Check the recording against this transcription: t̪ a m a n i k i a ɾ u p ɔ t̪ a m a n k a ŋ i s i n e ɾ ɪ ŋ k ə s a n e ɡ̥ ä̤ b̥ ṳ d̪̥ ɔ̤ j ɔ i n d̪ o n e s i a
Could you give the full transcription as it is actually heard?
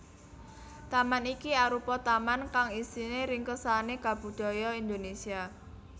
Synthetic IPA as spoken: t̪ a m a n i k i a ɾ u p ɔ t̪ a m a n k a ŋ i s i n e ɾ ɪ ŋ k ə s a n e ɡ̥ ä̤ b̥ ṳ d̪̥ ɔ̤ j ɔ i n d̪ o n e s i a

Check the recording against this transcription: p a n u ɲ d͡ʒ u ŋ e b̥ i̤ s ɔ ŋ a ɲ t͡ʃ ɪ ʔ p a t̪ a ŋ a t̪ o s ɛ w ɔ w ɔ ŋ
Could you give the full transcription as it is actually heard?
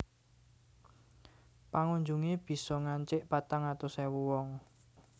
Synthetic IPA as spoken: p a ŋ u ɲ d͡ʒ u ŋ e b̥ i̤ s ɔ ŋ a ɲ t͡ʃ ɪ ʔ p a t̪ a ŋ a t̪ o s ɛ w u w ɔ ŋ

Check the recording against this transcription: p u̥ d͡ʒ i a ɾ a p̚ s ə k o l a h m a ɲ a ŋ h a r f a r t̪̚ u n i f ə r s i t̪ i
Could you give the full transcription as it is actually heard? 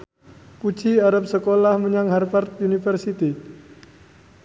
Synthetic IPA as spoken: p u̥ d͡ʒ i a ɾ a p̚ s ə k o l a h m ə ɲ a ŋ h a r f a r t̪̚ u n i f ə r s i t̪ i

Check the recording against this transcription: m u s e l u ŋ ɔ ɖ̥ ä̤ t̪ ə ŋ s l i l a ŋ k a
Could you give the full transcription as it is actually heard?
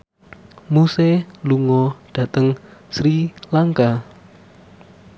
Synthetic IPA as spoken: m u s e l u ŋ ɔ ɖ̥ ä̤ t̪ ə ŋ s ɾ i l a ŋ k a

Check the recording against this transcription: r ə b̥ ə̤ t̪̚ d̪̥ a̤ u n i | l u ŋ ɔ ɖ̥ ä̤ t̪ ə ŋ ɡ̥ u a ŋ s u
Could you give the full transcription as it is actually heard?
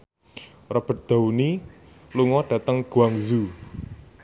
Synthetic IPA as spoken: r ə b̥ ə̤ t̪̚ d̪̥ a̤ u n i | l u ŋ ɔ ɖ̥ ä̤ t̪ ə ŋ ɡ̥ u a ŋ z u

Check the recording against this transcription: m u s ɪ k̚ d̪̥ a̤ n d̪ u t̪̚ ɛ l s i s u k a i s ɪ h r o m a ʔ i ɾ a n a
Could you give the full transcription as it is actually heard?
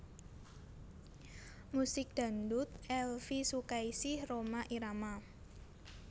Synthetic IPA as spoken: m u s ɪ k̚ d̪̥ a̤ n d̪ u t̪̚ ɛ l f i s u k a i s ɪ h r o m a ʔ i ɾ a m a

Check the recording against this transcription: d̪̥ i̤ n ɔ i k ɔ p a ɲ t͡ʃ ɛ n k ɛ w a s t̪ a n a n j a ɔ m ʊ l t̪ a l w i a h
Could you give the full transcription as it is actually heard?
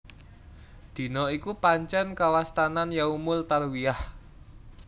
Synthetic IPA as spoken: d̪̥ i̤ n ɔ i k u p a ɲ t͡ʃ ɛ n k a w a s t̪ a n a n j a u m ʊ l t̪ a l w i a h

